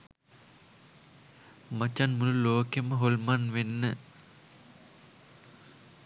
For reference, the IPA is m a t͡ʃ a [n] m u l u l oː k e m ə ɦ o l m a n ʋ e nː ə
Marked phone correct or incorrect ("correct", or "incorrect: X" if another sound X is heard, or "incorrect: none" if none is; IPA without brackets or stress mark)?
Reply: correct